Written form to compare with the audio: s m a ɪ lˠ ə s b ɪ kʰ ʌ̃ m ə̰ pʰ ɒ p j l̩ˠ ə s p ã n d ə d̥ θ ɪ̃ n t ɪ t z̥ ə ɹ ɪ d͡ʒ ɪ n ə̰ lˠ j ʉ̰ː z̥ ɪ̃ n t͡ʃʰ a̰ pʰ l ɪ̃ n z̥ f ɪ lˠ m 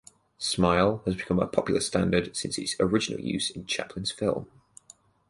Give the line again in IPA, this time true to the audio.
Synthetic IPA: s m a ɪ lˠ ə z b ɪ kʰ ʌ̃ m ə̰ pʰ ɒ p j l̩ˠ ə s t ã n d ə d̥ s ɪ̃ n s ɪ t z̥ ə ɹ ɪ d͡ʒ ɪ n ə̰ lˠ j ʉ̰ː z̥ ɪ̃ n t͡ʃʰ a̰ pʰ l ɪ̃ n z̥ f ɪ lˠ m

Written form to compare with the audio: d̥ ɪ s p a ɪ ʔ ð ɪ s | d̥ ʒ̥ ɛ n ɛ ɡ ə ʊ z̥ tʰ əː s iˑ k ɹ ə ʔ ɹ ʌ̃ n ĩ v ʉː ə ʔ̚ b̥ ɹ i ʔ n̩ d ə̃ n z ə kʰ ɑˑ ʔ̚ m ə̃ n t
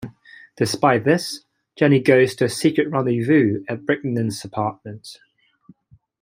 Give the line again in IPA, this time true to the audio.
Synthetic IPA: d̥ ɪ s p a ɪ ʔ ð ɪ s | d̥ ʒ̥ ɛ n i ɡ ə ʊ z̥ tʰ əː s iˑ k ɹ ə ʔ ɹ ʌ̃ n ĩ v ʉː ə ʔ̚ b̥ ɹ ɪ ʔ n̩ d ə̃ n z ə pʰ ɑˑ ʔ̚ m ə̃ n t

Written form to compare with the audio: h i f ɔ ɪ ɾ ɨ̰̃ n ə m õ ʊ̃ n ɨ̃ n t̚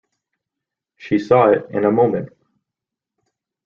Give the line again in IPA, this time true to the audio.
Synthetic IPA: ʃ i s ɔ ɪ ɾ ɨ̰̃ n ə m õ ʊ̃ m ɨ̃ n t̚

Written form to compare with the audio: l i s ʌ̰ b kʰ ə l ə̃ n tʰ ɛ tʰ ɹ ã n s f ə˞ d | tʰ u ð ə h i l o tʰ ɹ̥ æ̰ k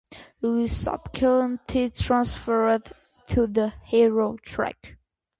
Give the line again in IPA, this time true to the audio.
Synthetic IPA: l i s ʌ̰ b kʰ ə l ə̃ n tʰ i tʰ ɹ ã n s f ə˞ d | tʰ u ð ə h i ɹ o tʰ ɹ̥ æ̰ k

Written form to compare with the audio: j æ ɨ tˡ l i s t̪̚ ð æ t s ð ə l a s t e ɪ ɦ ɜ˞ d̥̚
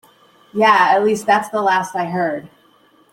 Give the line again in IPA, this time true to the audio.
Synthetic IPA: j æ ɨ tˡ l i s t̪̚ ð æ t s ð ə l æ s t a ɪ ɦ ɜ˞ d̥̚

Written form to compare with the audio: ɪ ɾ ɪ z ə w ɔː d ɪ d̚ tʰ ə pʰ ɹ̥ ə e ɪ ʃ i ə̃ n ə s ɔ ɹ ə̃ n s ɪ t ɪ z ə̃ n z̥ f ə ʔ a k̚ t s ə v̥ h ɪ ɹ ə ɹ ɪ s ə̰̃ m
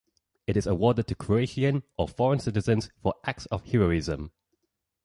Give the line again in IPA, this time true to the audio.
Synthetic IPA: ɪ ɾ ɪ z ə w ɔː d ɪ d̚ tʰ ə kʰ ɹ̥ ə e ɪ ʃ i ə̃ n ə f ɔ ɹ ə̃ n s ɪ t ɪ z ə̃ n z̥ f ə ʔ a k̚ t s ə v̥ h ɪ ɹ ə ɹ ɪ z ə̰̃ m

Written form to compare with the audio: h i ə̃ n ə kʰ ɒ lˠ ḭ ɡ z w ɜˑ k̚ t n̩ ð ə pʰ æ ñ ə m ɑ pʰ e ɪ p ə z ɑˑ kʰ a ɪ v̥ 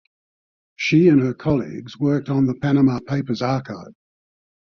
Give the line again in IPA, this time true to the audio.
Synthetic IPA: ʃ i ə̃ n ə kʰ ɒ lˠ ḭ ɡ z w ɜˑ k̚ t n̩ ð ə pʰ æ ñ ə m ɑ pʰ e ɪ p ə z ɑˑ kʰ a ɪ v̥

